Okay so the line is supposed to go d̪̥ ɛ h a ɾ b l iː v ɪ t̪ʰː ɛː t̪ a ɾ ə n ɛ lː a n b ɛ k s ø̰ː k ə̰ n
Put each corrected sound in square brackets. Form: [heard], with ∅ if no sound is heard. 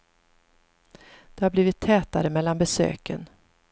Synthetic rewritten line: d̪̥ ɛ h a ɾ b l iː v ɪ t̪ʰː ɛː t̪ a ɾ ə [m] ɛ lː a n b ɛ [∅] s ø̰ː k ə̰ n